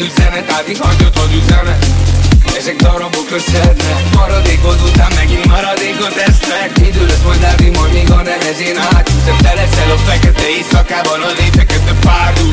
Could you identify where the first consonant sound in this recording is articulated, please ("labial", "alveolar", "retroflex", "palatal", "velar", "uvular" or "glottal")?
alveolar